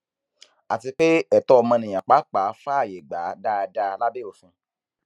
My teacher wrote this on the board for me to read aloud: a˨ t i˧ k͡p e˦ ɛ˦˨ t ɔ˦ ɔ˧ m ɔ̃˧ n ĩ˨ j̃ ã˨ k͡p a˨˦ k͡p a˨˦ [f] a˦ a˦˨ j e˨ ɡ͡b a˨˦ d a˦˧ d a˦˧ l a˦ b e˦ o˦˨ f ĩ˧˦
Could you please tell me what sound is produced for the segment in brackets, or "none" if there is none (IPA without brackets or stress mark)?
f